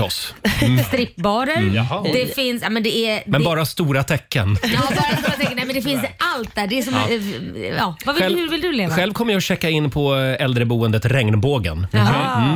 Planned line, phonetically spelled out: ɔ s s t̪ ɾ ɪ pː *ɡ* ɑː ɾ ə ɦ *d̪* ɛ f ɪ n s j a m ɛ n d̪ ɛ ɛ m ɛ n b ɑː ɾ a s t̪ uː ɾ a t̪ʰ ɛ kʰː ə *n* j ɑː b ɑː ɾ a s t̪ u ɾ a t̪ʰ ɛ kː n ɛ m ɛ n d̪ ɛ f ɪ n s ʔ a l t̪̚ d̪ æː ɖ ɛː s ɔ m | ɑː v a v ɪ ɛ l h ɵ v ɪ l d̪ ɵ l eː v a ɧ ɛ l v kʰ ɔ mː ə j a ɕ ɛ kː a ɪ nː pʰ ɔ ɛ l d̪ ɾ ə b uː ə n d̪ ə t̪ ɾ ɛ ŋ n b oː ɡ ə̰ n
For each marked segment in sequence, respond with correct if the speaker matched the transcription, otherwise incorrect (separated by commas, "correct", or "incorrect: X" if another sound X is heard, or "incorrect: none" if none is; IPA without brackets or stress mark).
incorrect: b, correct, correct